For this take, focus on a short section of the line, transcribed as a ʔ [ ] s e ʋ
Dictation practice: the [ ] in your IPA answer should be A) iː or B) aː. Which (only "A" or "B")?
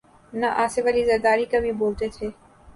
B